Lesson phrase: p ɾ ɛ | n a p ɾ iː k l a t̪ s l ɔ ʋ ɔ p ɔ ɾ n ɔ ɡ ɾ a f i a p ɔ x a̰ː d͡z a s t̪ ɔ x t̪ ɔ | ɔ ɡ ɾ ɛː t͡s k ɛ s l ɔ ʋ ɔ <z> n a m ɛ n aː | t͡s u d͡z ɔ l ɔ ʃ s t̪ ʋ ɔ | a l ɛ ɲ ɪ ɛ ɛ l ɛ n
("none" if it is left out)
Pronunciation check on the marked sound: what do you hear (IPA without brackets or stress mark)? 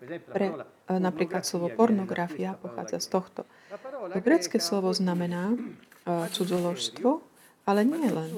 z